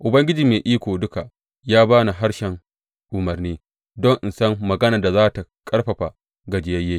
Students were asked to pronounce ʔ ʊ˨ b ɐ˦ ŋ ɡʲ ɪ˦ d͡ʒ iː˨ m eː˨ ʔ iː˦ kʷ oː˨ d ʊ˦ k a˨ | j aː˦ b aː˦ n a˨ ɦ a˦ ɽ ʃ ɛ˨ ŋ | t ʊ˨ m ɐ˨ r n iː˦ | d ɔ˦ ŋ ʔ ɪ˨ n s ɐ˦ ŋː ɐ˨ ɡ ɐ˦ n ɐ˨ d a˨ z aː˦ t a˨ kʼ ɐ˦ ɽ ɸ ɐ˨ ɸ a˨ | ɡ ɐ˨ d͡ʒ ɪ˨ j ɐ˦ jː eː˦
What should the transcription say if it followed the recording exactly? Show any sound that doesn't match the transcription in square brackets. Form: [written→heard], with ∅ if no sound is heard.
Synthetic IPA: ʔ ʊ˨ b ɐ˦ ŋ ɡʲ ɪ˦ d͡ʒ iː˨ m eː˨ ʔ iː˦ kʷ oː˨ d ʊ˦ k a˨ | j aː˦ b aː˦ n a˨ ɦ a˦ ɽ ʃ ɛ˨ ŋ | [t→ʔ] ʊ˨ m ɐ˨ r n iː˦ | d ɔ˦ ŋ ʔ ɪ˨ n s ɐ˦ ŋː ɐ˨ ɡ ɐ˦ n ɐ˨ d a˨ z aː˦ t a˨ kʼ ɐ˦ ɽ ɸ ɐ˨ ɸ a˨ | ɡ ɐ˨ d͡ʒ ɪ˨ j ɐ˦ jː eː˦